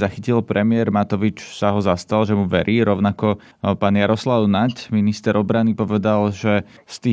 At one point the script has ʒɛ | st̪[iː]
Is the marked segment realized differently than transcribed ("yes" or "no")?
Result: no